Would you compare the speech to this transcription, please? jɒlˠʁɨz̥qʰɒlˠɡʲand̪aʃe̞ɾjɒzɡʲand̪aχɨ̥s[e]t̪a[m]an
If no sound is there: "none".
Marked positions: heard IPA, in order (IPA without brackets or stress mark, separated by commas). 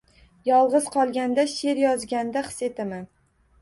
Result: e, m